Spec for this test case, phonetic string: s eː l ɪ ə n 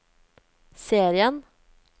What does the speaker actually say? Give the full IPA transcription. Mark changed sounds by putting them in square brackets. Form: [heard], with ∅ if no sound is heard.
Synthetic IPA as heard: s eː [ɾ] ɪ ə n